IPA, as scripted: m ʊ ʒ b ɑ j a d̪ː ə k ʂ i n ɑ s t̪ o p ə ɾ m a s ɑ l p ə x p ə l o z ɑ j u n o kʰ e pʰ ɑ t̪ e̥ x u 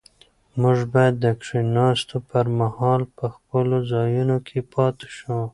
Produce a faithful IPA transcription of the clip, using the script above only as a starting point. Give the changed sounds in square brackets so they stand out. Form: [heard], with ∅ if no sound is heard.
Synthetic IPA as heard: m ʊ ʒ b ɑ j a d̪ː ə k ʂ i n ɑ s t̪ o p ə ɾ m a [h] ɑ l p ə x p ə l o z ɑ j u n o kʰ e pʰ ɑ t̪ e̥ [ʃ] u